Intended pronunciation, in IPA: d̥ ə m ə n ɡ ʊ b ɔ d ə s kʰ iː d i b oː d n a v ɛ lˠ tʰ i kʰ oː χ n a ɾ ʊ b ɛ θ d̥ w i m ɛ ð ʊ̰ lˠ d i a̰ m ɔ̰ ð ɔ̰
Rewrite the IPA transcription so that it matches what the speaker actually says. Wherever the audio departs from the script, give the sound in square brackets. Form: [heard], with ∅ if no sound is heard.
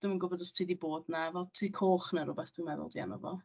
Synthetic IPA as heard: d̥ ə m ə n ɡ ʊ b ɔ d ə s [tʰ] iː d i b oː d n a v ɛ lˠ tʰ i kʰ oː χ n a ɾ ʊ b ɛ θ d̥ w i m ɛ ð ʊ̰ lˠ d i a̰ [n] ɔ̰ [v] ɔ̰